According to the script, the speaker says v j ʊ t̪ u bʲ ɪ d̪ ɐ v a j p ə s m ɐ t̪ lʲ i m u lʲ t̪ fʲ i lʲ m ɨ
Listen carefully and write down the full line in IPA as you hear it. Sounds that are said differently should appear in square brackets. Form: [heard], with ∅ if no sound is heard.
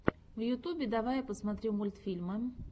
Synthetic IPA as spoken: v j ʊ t̪ u bʲ ɪ d̪ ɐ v a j p ə s m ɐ t̪ [ɾʲ] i m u lʲ t̪ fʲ i lʲ m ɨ